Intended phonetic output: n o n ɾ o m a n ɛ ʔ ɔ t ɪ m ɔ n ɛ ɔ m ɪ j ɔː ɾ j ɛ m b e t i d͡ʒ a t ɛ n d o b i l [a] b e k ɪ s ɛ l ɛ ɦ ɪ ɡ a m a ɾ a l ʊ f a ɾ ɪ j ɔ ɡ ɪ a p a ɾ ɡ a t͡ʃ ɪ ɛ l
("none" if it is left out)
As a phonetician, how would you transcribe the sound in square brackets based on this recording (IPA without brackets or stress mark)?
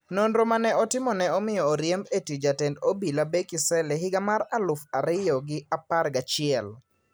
a